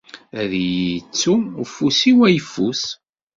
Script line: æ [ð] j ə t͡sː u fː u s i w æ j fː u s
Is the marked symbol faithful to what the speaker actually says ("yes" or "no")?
yes